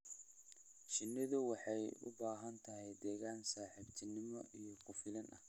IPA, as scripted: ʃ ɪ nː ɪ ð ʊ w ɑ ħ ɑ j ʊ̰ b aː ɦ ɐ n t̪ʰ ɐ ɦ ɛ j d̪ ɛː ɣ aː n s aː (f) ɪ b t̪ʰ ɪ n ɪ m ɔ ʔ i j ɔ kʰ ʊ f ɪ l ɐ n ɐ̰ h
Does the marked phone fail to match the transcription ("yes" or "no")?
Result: yes